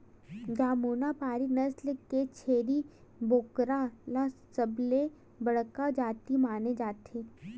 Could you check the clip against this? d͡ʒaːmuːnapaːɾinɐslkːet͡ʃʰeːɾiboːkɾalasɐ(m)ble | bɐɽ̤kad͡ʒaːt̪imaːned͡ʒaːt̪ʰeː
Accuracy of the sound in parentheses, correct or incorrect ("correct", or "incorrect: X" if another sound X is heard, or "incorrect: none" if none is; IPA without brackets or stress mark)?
incorrect: none